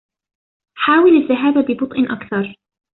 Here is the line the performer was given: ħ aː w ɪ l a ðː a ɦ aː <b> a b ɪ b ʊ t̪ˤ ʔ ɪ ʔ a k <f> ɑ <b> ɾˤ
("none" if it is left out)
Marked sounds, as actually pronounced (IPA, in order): b, θ, none

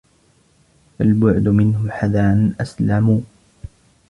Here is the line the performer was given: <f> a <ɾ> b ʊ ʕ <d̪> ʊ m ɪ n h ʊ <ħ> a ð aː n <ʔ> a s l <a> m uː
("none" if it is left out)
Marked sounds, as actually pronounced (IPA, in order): f, l, d̪, ħ, ʔ, a

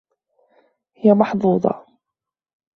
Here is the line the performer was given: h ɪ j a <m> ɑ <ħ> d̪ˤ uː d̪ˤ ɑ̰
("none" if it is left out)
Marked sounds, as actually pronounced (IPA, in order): m, ħ

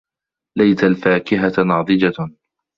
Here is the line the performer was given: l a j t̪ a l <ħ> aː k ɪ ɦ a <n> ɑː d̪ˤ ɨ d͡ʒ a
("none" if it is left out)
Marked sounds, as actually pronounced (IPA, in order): f, n

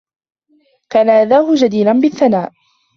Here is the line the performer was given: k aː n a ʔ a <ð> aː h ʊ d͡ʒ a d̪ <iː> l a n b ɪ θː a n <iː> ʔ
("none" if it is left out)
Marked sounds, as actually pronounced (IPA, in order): ð, iː, aː

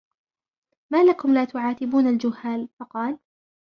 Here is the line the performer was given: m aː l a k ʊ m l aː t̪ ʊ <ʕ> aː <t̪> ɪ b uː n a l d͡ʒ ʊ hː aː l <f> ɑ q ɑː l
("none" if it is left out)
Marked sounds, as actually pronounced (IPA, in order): ʕ, t̪, f

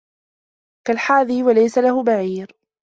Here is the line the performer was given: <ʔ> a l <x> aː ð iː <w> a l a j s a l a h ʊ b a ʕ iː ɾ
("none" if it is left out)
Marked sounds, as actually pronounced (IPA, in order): k, ħ, w

